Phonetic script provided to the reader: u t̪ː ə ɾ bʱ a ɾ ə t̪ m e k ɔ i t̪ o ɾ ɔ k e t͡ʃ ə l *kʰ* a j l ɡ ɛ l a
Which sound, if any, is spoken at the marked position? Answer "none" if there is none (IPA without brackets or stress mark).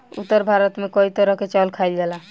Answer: kʰ